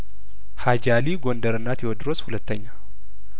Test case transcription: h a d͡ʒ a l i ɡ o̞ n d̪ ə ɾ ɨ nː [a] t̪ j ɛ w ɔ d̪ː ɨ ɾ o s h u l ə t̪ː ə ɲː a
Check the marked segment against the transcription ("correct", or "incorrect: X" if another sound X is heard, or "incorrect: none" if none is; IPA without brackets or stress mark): correct